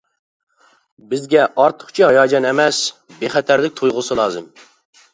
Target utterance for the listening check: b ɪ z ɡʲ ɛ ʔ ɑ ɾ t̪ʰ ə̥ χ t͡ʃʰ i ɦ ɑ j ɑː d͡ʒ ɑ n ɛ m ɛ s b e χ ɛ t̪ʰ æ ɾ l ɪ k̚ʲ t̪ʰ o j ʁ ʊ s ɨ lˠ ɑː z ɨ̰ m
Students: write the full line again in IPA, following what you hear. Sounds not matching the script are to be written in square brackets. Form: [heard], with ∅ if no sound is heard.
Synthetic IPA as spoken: b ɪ z ɡʲ ɛ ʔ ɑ ɾ t̪ʰ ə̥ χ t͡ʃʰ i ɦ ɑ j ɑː d͡ʒ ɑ n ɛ m ɛ s b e χ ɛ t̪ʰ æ ɾ l ɪ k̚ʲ t̪ʰ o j ʁ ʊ s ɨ lˠ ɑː z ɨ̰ m